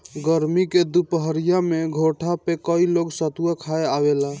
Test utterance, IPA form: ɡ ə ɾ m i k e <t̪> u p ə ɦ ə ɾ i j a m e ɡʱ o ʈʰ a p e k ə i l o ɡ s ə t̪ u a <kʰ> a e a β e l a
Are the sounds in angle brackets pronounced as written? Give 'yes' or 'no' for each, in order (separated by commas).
no, yes